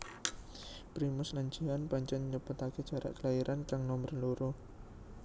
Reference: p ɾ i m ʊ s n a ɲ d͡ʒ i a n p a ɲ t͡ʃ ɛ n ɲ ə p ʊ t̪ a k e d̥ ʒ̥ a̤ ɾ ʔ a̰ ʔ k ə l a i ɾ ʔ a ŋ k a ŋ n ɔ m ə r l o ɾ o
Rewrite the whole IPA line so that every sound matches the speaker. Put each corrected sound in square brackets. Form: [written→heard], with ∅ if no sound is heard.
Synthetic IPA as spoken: p ɾ i m ʊ s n a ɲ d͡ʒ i a n p a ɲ t͡ʃ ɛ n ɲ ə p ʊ t̪ a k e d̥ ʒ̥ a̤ ɾ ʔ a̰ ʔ k ə l a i ɾ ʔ a [ŋ→n] k a ŋ n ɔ m ə r l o ɾ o